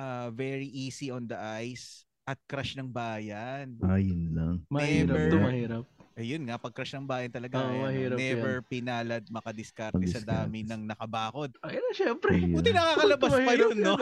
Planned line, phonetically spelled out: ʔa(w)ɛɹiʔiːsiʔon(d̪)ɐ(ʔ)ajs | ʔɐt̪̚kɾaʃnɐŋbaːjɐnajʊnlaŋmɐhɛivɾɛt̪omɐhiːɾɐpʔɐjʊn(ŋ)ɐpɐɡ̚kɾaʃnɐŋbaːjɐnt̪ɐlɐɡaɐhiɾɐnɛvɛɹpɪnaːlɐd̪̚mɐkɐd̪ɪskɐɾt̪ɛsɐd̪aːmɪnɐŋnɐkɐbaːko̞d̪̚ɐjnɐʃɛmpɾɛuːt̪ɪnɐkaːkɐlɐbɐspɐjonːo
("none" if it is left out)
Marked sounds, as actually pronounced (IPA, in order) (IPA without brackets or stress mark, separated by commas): v, d̪, ʔ, ŋ